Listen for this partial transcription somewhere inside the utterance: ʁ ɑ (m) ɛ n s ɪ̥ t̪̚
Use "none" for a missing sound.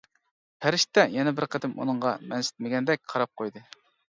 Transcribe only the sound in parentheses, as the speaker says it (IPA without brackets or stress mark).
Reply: m